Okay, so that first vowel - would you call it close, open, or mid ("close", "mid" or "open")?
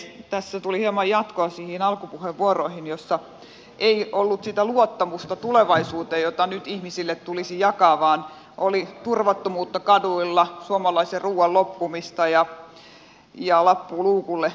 open